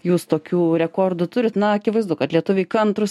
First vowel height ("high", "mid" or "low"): high